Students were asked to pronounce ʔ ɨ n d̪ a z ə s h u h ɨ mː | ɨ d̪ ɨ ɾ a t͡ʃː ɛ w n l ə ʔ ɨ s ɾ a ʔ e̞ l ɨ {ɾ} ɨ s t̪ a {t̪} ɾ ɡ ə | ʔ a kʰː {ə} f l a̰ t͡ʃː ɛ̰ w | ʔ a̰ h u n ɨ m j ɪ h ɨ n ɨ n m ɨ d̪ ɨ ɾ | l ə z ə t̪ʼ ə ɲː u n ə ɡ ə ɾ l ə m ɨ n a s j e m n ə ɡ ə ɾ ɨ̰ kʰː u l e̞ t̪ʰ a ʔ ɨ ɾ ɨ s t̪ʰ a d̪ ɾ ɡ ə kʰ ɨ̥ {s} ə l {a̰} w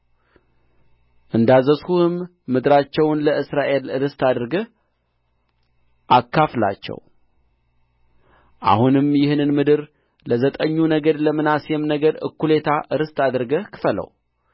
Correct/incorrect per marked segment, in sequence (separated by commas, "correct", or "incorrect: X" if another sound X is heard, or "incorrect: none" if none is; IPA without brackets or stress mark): correct, incorrect: d̪, incorrect: a, incorrect: f, incorrect: ə̰